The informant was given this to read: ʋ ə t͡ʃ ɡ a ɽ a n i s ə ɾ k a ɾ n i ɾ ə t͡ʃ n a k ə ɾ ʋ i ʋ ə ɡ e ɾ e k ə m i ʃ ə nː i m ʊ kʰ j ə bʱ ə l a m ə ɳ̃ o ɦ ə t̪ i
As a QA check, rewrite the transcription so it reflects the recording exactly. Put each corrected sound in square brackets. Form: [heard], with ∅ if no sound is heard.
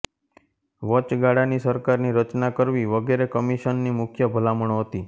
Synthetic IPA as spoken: ʋ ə t͡ʃ ɡ a ɽ a n i s ə ɾ k a ɾ n i ɾ ə t͡ʃ n a k ə ɾ ʋ i ʋ ə ɡ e ɾ e k ə m i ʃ ə nː i m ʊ kʰ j ə bʱ ə l a m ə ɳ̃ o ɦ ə t̪ i